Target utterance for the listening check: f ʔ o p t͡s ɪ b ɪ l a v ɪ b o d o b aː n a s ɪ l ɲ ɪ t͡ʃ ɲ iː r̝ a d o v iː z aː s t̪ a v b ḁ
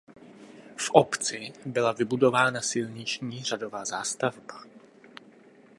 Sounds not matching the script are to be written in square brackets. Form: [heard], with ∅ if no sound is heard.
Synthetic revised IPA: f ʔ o p t͡s ɪ b ɪ l a v ɪ b [u] d o [v] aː n a s ɪ l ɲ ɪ t͡ʃ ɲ iː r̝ a d o v [aː] z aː s t̪ a v b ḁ